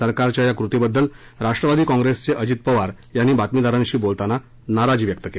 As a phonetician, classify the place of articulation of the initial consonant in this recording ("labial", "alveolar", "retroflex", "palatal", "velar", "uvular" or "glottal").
alveolar